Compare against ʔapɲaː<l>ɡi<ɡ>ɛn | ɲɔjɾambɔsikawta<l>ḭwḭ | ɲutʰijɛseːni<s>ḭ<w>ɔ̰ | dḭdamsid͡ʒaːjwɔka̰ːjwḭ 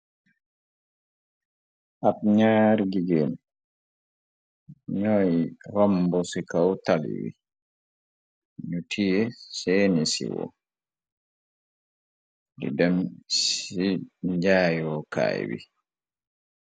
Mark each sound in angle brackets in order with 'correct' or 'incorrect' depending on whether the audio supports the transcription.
incorrect, correct, correct, correct, correct

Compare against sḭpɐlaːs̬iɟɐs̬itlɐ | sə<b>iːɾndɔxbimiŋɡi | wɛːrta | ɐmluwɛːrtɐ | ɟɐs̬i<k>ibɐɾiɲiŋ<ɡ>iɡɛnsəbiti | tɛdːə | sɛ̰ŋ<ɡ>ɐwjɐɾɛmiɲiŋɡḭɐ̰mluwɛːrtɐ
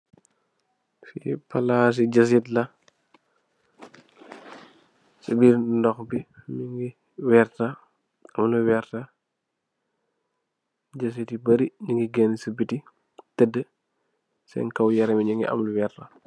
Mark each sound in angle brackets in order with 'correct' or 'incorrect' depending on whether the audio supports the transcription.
correct, incorrect, correct, incorrect

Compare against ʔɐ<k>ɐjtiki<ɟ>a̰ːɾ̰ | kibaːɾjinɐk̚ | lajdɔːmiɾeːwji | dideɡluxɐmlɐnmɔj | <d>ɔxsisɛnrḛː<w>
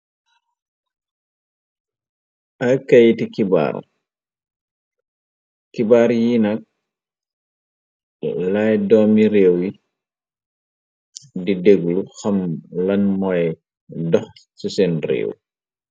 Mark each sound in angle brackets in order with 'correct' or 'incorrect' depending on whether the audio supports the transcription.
correct, incorrect, correct, correct

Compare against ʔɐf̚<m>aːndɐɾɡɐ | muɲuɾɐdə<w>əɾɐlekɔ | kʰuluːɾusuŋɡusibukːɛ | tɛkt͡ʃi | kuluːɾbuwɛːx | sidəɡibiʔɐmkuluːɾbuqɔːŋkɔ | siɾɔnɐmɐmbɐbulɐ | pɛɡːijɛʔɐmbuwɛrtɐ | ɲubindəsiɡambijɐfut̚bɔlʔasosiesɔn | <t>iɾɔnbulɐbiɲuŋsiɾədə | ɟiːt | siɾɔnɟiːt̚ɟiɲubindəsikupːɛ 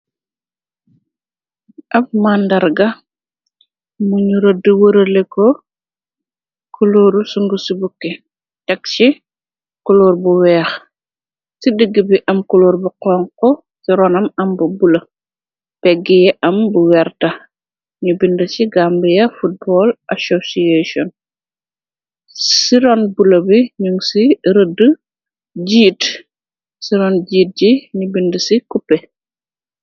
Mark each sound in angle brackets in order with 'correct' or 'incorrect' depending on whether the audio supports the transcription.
correct, correct, incorrect

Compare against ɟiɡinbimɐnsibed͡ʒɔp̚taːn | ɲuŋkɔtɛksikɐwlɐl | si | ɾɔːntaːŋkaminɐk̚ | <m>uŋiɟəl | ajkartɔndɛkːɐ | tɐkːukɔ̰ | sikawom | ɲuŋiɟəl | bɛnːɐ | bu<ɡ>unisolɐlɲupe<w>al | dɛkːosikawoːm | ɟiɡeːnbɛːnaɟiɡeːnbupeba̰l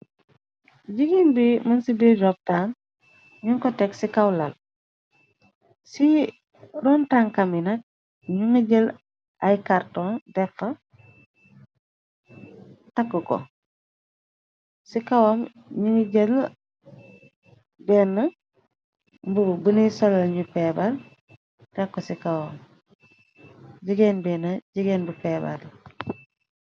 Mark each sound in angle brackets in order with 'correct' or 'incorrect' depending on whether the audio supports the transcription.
incorrect, incorrect, incorrect

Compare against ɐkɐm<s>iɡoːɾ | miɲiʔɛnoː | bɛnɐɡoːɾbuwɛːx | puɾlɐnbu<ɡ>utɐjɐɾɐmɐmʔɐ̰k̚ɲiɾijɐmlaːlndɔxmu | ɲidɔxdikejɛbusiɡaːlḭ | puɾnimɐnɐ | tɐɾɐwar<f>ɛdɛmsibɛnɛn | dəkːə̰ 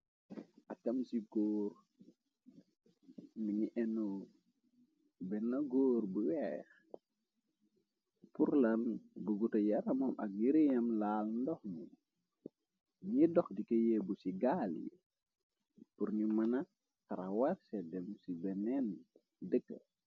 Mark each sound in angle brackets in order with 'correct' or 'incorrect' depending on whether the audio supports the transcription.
correct, correct, incorrect

